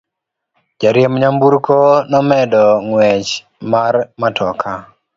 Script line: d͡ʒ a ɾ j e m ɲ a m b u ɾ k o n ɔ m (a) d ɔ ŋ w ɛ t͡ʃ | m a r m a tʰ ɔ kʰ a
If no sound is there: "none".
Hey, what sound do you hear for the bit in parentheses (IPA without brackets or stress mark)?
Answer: ɛ